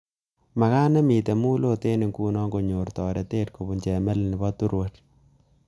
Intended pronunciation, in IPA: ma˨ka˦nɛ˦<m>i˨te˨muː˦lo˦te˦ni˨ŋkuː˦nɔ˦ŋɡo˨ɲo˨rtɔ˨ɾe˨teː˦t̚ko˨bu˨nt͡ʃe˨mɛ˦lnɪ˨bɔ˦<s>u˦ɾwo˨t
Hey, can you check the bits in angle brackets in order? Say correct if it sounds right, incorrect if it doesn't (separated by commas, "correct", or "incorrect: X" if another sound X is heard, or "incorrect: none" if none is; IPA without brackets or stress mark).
correct, incorrect: t